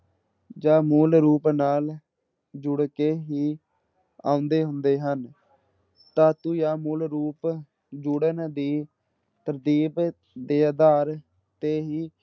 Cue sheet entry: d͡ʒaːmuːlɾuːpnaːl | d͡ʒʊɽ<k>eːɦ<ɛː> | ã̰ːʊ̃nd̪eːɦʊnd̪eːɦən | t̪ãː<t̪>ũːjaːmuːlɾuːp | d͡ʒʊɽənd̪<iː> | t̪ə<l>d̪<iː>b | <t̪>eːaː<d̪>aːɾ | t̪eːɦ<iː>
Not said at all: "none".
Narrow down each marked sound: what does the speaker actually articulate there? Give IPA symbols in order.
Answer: k, iː, t̪, iː, ɾ, iː, d̪, d̪, iː

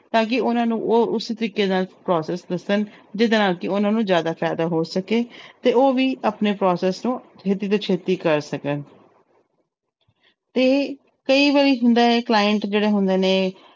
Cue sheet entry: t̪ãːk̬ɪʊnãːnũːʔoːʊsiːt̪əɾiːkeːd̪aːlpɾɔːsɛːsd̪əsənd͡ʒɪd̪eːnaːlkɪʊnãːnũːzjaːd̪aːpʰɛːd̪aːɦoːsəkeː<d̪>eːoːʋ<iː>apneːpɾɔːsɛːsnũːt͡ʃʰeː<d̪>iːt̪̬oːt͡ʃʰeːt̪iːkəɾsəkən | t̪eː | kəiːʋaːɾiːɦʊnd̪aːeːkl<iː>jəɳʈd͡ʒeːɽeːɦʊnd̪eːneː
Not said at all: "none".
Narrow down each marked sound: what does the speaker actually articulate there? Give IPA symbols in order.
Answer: t̪, iː, t̪, aː

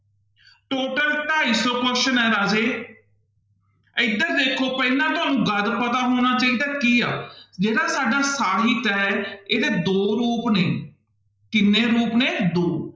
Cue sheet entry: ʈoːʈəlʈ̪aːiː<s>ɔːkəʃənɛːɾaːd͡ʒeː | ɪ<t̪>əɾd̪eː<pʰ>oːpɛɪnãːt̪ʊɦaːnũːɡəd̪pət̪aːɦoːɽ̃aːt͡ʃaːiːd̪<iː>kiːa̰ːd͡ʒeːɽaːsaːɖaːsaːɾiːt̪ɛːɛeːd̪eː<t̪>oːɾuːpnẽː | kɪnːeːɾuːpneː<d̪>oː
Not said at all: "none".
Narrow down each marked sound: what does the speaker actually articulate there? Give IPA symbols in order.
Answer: s, d̪, kʰ, aː, d̪, d̪

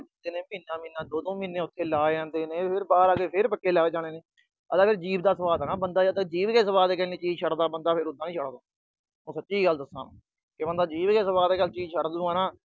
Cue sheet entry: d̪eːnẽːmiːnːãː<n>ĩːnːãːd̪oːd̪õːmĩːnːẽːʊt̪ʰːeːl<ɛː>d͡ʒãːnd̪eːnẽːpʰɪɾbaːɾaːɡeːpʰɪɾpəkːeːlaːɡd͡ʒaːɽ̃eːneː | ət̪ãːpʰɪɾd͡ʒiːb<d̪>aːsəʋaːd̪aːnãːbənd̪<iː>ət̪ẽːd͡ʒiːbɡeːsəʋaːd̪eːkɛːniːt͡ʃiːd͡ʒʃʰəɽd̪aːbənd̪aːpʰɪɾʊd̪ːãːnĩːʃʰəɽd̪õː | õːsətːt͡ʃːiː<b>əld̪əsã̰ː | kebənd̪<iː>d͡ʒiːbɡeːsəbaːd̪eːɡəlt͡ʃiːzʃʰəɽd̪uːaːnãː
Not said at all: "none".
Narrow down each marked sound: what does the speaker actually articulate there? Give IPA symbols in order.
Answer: m, aː, d̪, aː, ɡ, aː

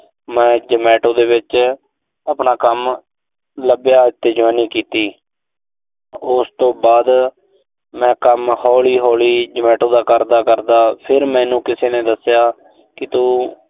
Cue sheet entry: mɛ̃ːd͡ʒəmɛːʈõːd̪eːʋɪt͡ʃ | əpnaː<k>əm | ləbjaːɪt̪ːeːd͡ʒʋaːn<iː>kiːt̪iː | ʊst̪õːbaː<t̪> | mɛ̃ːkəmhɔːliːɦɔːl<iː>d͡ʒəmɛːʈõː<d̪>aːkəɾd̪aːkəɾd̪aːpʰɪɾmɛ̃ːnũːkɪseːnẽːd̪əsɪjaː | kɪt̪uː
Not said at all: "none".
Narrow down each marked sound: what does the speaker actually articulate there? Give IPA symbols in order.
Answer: k, iː, d̪, iː, d̪

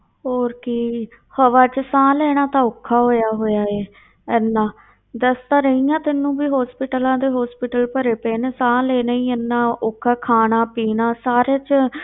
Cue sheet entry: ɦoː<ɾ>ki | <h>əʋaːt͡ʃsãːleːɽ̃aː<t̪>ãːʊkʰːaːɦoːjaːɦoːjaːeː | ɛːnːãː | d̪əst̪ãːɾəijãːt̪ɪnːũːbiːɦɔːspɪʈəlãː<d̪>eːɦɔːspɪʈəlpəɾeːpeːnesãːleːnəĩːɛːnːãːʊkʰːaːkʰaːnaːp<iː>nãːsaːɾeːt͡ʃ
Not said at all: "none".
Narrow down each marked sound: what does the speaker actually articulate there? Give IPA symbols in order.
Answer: ɾ, h, t̪, d̪, iː

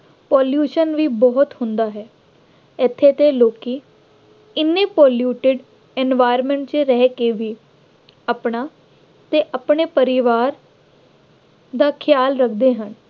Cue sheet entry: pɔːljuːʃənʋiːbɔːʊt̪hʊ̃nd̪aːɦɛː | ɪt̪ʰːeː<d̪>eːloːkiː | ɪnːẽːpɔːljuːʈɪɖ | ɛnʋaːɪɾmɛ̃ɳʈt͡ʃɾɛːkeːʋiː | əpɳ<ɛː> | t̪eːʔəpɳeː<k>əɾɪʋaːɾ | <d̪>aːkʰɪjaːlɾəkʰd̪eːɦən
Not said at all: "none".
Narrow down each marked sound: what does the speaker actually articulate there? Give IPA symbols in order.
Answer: t̪, aː, p, d̪

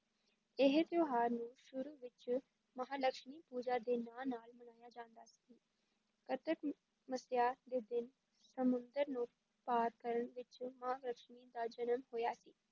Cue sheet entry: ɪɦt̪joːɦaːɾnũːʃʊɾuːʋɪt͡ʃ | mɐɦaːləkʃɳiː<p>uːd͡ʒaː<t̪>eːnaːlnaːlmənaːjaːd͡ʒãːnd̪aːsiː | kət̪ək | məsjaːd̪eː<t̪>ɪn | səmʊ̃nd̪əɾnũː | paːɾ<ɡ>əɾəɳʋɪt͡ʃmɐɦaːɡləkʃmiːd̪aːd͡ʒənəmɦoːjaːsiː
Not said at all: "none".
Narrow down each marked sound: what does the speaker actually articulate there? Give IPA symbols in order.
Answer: p, d̪, d̪, k

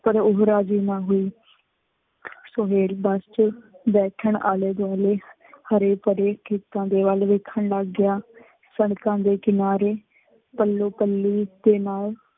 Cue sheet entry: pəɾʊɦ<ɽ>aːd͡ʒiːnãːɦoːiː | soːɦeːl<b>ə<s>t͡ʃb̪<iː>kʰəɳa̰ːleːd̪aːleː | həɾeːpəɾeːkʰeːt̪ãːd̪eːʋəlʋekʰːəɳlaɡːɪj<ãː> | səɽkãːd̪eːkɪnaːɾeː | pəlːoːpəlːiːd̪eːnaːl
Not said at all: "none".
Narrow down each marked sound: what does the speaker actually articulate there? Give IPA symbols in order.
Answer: ɾ, b, s, ɛː, aː

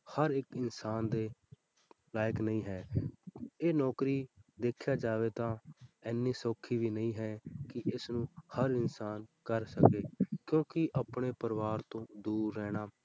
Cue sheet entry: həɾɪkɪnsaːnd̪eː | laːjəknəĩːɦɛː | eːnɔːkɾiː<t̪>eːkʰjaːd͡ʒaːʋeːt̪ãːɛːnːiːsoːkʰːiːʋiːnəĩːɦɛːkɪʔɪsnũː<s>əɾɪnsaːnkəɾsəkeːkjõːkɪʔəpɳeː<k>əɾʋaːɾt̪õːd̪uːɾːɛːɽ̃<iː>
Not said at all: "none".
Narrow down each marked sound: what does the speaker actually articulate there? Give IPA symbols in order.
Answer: d̪, h, p, aː

